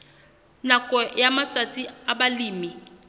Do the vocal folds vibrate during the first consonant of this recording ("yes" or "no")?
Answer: yes